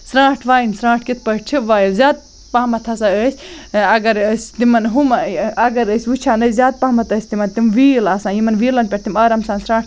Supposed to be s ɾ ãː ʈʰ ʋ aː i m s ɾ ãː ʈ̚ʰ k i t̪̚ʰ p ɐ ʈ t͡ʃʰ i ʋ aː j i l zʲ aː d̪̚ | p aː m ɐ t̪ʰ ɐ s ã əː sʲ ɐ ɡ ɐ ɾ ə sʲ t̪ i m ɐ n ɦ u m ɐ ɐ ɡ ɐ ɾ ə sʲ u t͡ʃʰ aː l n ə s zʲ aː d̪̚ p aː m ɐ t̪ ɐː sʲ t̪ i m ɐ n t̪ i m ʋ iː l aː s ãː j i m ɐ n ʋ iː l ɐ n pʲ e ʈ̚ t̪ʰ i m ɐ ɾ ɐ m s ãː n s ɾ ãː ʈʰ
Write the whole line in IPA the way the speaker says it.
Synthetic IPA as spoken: s ɾ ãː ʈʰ ʋ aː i n s ɾ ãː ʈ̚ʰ k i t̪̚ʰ p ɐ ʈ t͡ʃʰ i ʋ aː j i l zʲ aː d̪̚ | p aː m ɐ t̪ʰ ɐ s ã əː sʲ ɐ ɡ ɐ ɾ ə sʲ t̪ i m ɐ n ɦ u m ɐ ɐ ɡ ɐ ɾ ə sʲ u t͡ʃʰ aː n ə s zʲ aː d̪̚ p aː m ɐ t̪ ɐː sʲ t̪ i m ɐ n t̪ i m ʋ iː l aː s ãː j i m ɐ n ʋ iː l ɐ n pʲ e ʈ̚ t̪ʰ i m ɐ ɾ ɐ m s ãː n s ɾ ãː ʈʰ